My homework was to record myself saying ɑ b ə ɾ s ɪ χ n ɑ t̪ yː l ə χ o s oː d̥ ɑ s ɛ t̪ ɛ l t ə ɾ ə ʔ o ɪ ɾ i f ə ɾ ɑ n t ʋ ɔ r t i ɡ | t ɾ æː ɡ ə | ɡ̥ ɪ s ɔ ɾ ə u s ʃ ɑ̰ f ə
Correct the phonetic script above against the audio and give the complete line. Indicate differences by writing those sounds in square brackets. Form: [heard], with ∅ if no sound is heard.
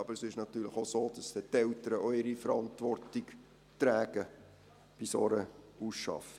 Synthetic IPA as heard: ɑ b ə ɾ s ɪ [ʃ] n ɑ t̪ yː l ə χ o s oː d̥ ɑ s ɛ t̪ ɛ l t ə ɾ ə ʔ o ɪ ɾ i f ə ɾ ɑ n t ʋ ɔ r t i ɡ | t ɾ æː ɡ ə | [b̥] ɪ s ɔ ɾ ə u s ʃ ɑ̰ f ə

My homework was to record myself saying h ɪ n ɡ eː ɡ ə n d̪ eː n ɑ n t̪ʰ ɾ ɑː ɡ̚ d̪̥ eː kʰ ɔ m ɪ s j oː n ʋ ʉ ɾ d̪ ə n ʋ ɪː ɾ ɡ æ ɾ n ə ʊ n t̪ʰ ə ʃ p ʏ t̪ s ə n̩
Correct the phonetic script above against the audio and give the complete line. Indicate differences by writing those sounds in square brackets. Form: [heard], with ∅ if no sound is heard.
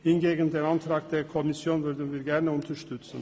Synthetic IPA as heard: h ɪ n ɡ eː ɡ ə n d̪ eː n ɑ n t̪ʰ ɾ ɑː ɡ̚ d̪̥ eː kʰ ɔ m ɪ s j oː n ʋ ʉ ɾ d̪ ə n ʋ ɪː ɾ ɡ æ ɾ n ə ʊ n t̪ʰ ə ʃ [t] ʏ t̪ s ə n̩

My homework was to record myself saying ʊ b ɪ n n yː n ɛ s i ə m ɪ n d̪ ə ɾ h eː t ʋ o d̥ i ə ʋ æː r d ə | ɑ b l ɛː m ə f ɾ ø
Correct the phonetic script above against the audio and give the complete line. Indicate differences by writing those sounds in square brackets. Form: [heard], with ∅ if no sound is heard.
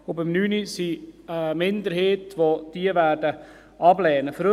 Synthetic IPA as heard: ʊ b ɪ [m] n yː n [i] s i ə m ɪ n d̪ ə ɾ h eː t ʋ o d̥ i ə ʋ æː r d ə | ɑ b l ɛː [n] ə f ɾ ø

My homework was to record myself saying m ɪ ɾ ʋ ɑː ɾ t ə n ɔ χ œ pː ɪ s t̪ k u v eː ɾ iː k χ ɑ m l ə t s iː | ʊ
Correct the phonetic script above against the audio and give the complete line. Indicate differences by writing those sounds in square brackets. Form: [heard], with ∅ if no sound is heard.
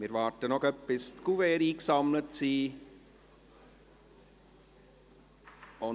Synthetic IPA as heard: m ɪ ɾ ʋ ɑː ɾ t ə n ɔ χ œ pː ɪ s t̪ k u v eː ɾ iː k [s] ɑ m l ə t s iː | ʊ

